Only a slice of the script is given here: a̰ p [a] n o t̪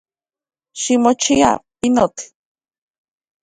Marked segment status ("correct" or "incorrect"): incorrect